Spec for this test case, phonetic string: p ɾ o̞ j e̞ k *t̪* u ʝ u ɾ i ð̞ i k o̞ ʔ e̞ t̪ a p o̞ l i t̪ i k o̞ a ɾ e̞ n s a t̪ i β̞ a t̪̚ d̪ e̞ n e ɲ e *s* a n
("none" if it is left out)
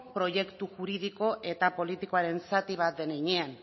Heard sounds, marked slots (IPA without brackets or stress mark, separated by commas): t̪, none